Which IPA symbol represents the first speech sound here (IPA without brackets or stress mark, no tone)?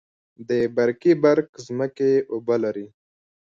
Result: d̪